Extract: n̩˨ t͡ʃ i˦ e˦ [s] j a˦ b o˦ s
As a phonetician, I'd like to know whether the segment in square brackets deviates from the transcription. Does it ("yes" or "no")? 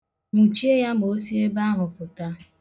yes